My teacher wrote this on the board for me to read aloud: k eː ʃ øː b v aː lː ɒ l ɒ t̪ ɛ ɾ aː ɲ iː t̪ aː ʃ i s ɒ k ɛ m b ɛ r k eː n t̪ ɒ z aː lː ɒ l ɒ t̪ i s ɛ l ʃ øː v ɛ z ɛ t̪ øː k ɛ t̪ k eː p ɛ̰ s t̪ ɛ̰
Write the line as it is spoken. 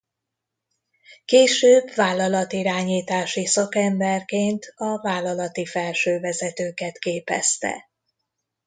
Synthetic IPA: k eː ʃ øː b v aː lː ɒ l ɒ t̪ i ɾ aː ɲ iː t̪ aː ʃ i s ɒ k ɛ m b ɛ r k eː n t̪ ɒ v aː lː ɒ l ɒ t̪ i f ɛ l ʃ øː v ɛ z ɛ t̪ øː k ɛ t̪ k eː p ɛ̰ s t̪ ɛ̰